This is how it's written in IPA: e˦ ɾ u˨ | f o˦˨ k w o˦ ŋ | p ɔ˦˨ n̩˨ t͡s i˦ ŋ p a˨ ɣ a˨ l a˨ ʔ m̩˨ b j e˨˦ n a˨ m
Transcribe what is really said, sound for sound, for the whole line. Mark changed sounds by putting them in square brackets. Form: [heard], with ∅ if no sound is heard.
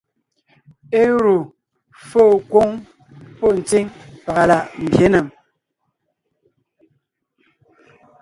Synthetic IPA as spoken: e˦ ɾ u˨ | f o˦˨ k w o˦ ŋ | p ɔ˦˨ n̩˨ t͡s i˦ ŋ p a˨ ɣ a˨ l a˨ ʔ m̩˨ b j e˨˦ n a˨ m